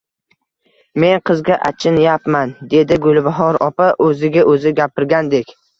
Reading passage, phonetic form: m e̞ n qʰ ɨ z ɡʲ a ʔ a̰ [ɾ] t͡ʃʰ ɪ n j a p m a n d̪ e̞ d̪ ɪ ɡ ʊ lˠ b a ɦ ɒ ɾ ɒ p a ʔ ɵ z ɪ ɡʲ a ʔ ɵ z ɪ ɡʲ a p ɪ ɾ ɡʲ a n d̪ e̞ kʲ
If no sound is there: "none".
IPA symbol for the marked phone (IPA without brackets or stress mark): none